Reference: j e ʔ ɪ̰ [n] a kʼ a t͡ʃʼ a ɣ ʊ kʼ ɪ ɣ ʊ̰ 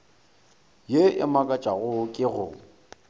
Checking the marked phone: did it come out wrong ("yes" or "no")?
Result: yes